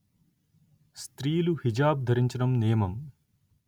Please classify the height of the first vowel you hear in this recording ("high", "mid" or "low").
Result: high